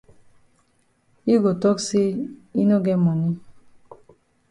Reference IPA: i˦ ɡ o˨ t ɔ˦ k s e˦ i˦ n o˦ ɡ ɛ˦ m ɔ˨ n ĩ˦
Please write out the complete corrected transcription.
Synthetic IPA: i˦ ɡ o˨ t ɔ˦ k s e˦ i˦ n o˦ ɡ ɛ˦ m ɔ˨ n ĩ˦